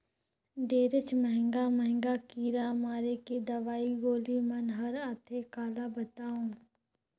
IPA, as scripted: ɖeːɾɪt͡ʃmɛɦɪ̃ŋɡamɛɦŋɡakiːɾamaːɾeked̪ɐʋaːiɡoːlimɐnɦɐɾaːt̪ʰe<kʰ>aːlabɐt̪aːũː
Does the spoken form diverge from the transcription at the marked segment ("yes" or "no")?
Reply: yes